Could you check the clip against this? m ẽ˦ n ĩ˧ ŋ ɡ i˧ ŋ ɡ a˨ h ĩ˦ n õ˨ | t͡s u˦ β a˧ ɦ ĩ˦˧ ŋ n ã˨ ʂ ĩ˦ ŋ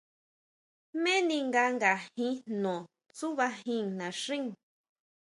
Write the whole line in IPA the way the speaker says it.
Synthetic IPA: m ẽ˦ n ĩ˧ ŋ ɡ a˧ ŋ ɡ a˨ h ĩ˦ n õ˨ | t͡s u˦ β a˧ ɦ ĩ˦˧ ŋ n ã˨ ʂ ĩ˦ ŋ